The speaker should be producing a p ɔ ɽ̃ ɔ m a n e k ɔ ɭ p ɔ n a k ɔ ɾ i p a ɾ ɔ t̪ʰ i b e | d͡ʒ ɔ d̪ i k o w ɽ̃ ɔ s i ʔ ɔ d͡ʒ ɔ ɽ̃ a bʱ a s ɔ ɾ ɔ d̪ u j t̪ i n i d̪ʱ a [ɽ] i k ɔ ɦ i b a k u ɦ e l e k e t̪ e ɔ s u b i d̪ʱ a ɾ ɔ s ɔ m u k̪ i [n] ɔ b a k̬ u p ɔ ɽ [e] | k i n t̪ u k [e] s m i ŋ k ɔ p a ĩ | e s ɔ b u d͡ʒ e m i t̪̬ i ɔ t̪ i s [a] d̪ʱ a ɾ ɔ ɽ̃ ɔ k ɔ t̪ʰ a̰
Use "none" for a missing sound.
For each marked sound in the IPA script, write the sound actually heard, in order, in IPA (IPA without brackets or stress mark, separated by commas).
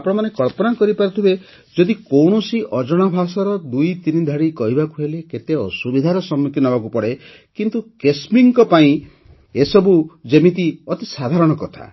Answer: ɽ, n, e, e, a